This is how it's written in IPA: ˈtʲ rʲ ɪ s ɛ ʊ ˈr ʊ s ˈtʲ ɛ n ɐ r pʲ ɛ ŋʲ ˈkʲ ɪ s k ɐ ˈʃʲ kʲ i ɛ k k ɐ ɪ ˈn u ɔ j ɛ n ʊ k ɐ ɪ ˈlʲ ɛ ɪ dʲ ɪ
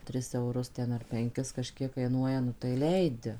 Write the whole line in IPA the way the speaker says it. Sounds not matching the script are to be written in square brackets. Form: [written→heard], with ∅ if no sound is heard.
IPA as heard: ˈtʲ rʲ ɪ s ɛ ʊ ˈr ʊ s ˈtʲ ɛ n ɐ r pʲ ɛ ŋʲ ˈkʲ ɪ s k ɐ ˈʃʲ kʲ i ɛ k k ɐ ɪ ˈn u ɔ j ɛ n ʊ [k→t] ɐ ɪ ˈlʲ ɛ ɪ dʲ ɪ